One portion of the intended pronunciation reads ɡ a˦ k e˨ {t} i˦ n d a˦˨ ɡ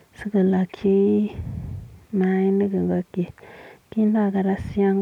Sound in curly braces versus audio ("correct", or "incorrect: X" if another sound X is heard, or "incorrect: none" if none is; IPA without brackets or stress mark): incorrect: k